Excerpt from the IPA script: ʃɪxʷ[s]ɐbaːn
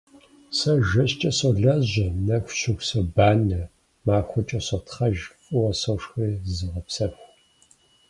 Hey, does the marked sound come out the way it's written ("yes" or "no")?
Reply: yes